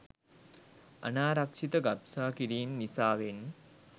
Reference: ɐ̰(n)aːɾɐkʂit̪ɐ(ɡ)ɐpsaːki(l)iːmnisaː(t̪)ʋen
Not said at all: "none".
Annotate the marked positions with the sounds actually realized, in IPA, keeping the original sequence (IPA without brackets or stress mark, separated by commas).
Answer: n, ɡ, ɾ, none